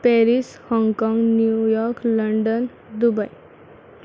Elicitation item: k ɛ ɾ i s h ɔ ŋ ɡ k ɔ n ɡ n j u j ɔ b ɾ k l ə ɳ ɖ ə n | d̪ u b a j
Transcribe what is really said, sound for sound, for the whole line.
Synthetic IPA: p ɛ ɾ i s h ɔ ŋ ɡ k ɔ ŋ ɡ n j u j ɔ ɾ k l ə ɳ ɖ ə n | d̪ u b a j